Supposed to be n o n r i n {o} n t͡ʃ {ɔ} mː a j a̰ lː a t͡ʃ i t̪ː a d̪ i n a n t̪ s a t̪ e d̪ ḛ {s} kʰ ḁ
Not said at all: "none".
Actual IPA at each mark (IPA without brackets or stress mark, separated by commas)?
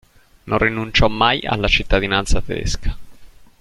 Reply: u, ɔ, s